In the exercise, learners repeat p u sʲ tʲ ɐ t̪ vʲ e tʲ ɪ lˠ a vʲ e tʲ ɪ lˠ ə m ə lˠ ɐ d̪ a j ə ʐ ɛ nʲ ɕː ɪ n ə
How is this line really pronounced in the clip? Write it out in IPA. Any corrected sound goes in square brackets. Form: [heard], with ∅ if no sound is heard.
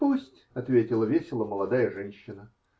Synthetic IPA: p u sʲ tʲ ɐ t̪ vʲ e tʲ ɪ lˠ [ə] vʲ e [sʲ] ɪ lˠ ə m ə lˠ ɐ d̪ a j ə ʐ ɛ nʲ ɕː ɪ n ə

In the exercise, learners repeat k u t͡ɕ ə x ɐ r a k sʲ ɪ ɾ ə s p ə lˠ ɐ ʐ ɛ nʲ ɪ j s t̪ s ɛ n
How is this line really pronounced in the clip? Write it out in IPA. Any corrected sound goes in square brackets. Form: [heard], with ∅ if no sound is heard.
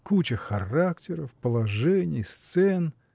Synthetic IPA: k u t͡ɕ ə x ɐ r a k [tʲ] ɪ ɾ ə [f] p ə lˠ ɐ ʐ ɛ nʲ ɪ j s t̪ s ɛ n

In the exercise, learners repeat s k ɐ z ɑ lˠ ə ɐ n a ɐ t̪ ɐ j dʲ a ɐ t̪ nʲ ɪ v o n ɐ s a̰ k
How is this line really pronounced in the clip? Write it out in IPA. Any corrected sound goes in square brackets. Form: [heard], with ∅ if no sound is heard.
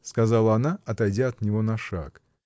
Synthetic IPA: s k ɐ z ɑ lˠ ə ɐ n a ɐ t̪ ɐ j dʲ a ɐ t̪ nʲ ɪ v o n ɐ [ʂ] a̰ k

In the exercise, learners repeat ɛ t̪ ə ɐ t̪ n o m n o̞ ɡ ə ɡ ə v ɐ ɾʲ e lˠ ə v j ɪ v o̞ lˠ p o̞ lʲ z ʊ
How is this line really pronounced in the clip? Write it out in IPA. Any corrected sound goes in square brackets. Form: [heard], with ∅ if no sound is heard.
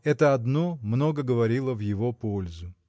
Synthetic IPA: ɛ t̪ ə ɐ [d̪] n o m n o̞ ɡ ə ɡ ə v ɐ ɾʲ [i] lˠ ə v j ɪ v o̞ [∅] p o̞ lʲ z ʊ

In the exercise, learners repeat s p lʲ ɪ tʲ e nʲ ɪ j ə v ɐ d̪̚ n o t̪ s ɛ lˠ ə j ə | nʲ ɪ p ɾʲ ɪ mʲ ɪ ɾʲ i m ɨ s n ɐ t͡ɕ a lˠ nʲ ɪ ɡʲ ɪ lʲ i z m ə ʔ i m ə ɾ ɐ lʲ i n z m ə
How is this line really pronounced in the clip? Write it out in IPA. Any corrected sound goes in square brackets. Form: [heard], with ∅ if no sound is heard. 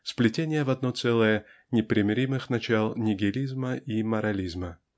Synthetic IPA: s p lʲ ɪ tʲ e nʲ ɪ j ə v ɐ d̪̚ n o t̪ s ɛ lˠ ə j ə | nʲ ɪ p ɾʲ ɪ mʲ ɪ ɾʲ i m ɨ [x] n ɐ t͡ɕ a lˠ nʲ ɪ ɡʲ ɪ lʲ i z m ə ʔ i m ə ɾ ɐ lʲ i [∅] z m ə

